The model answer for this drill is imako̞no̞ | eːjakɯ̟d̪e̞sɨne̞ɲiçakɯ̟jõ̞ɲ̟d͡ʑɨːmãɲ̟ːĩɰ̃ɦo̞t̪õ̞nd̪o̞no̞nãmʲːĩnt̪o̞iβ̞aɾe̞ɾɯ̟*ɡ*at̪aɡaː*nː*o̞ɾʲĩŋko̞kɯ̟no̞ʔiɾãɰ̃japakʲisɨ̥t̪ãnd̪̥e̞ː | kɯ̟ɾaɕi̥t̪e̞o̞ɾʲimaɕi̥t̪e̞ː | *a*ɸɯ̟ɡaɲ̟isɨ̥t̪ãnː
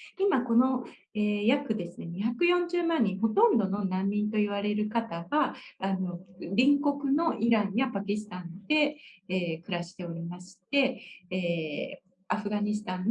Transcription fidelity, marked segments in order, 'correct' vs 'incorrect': incorrect, incorrect, correct

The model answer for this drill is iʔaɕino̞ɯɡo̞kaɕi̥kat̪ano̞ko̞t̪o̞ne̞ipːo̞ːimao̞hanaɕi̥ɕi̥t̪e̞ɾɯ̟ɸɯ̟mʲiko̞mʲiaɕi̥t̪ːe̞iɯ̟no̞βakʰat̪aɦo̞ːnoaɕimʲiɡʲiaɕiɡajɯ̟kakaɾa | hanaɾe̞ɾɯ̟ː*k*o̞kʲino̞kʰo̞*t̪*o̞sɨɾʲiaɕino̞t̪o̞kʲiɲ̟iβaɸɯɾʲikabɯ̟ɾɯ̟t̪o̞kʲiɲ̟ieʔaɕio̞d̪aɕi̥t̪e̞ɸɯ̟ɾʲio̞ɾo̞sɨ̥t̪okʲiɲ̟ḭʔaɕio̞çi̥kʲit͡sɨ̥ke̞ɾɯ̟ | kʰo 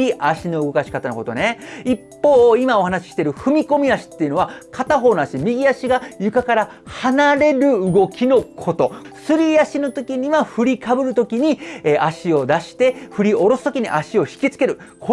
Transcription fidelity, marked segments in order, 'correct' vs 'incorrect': incorrect, correct

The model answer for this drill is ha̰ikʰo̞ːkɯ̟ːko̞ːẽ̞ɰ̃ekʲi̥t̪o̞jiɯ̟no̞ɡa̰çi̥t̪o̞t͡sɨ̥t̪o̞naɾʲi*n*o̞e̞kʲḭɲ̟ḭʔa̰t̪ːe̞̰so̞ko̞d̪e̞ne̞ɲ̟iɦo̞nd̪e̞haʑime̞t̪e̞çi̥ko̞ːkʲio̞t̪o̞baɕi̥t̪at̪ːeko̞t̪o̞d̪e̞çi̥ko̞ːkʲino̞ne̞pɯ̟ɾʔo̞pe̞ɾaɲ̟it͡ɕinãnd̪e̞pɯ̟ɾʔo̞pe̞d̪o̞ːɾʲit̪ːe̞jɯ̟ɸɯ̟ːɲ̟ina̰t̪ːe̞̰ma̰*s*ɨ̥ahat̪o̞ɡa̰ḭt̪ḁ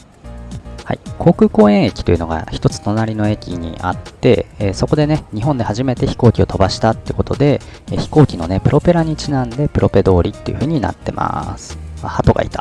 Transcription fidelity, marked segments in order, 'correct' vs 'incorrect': correct, correct

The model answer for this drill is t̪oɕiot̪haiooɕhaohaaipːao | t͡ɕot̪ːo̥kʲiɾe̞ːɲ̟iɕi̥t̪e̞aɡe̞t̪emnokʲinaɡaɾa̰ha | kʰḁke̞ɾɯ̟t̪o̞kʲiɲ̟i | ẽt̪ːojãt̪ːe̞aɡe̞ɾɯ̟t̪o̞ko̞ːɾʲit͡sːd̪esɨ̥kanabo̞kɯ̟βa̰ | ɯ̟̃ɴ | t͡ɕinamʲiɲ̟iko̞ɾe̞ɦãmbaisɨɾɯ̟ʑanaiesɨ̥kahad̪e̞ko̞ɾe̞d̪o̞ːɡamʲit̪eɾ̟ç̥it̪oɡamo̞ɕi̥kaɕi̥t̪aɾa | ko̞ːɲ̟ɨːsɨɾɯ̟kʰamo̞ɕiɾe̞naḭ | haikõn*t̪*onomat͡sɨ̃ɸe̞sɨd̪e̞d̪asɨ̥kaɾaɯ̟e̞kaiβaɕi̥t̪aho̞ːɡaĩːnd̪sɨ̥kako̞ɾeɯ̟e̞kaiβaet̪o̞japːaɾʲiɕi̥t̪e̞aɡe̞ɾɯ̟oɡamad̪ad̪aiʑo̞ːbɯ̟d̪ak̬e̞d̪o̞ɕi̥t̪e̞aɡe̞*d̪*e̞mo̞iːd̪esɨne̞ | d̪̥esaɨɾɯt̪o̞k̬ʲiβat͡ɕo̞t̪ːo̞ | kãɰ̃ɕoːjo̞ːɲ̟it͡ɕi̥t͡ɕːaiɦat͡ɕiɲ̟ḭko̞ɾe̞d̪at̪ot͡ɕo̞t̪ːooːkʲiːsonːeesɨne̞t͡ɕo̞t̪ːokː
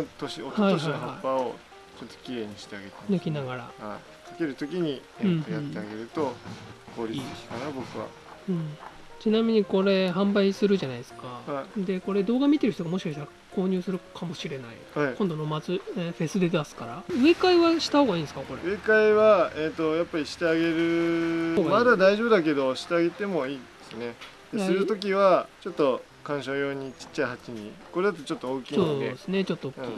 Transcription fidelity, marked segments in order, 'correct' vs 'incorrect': incorrect, incorrect

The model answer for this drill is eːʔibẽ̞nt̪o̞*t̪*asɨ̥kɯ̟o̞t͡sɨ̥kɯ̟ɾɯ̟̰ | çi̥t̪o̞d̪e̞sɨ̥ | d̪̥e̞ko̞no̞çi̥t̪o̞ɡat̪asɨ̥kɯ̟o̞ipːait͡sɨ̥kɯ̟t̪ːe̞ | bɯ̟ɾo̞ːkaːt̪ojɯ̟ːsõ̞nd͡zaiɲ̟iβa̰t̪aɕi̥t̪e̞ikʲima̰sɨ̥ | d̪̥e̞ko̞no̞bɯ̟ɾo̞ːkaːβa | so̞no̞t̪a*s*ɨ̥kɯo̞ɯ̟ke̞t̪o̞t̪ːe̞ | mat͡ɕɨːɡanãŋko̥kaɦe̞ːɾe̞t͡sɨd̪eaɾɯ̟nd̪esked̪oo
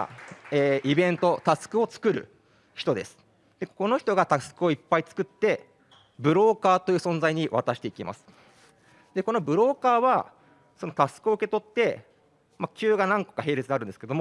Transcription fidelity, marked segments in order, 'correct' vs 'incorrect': correct, correct

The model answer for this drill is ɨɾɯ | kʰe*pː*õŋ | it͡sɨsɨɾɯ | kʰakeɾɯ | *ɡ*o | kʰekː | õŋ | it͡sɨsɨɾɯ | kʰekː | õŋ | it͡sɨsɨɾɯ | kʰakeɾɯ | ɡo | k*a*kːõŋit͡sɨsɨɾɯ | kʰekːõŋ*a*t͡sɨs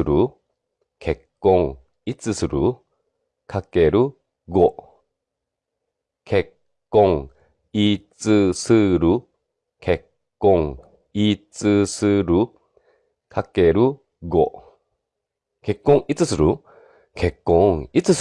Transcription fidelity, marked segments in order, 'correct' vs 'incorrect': incorrect, correct, incorrect, incorrect

